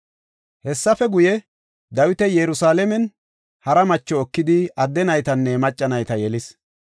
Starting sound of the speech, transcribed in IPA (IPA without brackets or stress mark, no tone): h